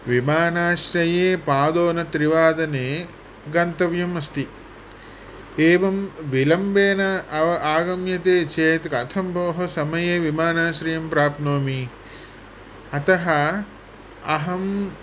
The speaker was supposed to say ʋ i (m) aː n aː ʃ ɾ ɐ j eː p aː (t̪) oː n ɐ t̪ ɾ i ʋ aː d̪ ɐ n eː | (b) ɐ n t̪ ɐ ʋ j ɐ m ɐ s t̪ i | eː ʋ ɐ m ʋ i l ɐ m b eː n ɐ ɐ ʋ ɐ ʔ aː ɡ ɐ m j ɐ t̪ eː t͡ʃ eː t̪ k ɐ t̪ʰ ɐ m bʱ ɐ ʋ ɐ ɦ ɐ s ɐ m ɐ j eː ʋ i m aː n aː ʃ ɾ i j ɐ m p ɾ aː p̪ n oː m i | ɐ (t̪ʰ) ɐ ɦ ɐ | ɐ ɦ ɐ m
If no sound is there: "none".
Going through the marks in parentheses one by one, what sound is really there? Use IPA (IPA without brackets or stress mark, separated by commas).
m, d̪, ɡ, t̪